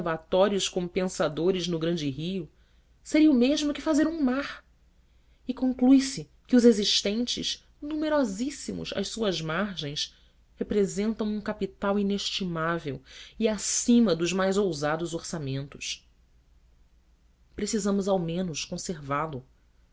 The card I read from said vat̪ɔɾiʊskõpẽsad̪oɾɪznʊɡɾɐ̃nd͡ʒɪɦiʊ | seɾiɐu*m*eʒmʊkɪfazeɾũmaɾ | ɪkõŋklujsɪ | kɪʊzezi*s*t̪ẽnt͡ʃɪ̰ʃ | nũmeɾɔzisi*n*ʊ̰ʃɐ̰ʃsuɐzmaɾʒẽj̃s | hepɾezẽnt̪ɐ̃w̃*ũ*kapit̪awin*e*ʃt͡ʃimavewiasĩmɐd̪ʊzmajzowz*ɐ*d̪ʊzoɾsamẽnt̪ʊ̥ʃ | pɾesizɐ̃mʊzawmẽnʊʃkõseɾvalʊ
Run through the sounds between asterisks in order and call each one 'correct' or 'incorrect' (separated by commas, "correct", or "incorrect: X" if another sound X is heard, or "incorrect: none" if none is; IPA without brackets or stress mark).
correct, incorrect: ʃ, incorrect: m, correct, correct, incorrect: a